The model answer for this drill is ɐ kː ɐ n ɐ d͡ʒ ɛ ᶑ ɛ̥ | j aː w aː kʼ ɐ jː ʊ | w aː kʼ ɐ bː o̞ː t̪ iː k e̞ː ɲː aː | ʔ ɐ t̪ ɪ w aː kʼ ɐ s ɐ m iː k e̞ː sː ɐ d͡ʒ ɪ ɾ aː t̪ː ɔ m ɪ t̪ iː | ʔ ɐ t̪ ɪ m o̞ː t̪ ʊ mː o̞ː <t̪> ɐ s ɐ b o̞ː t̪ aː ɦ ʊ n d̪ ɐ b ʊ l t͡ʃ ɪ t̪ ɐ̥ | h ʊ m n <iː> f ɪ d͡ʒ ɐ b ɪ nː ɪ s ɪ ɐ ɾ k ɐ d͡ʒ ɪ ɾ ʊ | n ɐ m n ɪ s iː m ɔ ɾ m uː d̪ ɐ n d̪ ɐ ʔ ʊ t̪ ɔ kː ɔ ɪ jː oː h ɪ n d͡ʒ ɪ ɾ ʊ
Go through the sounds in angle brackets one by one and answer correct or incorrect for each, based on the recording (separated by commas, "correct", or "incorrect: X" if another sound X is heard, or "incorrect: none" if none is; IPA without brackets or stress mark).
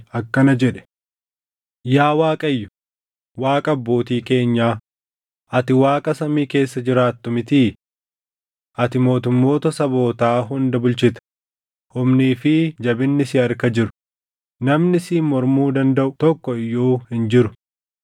correct, correct